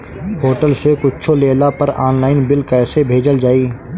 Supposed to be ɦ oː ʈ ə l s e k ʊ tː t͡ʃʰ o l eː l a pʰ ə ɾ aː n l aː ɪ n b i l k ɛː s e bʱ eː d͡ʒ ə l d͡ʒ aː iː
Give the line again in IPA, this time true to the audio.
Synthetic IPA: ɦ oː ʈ ə l s e k ʊ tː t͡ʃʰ o l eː l a p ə ɾ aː n l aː ɪ n b ɪ l k ɛː s e bʱ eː d͡ʒ ə l d͡ʒ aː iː